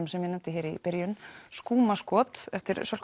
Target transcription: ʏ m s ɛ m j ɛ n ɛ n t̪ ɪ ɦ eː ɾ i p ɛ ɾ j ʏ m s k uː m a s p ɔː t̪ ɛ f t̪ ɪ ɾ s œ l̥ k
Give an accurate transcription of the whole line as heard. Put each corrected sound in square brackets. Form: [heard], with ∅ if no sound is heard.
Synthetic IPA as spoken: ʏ m s ɛ m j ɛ n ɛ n t̪ ɪ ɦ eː ɾ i p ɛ ɾ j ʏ [n] s k uː m a s [k] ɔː t̪ ɛ f t̪ ɪ ɾ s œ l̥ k